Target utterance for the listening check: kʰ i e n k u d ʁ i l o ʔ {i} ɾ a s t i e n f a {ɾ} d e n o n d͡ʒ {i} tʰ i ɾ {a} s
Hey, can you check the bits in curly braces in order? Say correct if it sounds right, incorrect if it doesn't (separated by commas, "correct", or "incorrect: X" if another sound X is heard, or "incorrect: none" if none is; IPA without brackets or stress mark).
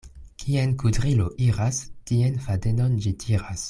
correct, incorrect: none, correct, correct